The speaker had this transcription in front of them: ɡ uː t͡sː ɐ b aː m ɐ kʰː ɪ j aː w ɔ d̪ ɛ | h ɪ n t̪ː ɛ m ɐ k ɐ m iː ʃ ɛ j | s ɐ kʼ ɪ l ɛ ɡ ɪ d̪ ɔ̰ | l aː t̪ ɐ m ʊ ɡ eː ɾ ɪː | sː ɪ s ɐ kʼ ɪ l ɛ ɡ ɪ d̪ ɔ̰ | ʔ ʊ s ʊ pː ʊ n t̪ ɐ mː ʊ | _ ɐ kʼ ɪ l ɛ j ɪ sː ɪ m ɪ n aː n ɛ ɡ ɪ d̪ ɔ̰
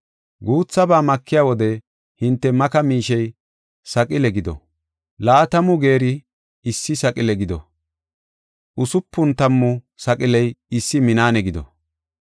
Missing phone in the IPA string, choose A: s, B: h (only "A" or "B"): A